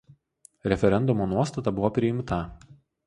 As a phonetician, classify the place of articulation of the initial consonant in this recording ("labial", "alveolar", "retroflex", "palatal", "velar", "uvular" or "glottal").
alveolar